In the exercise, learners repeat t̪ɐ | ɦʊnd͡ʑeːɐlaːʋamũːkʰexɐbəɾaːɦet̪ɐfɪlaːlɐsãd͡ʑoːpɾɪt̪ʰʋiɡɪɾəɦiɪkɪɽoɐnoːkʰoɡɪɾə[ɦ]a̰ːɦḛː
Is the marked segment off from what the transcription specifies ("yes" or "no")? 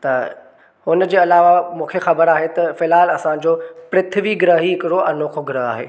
no